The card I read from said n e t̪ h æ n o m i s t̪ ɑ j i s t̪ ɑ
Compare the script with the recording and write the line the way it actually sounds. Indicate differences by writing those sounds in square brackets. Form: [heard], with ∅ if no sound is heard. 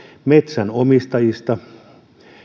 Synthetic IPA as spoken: [m] e t̪ [s] æ n o m i s t̪ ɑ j i s t̪ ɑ